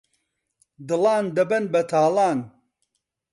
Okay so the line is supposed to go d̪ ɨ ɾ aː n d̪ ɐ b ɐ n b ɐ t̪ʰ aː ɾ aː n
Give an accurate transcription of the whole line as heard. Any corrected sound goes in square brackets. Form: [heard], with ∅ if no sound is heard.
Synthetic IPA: d̪ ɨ [l] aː n d̪ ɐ b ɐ n b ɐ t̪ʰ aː [l] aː n